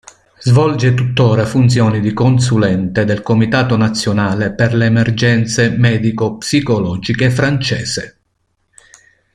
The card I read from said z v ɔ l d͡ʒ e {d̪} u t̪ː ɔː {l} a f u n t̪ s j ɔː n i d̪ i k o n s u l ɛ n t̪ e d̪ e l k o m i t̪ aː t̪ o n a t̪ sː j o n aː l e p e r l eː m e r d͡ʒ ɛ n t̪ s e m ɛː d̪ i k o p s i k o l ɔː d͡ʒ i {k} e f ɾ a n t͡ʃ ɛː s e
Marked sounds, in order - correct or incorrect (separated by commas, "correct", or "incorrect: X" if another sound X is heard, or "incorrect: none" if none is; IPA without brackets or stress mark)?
incorrect: t̪, incorrect: ɾ, correct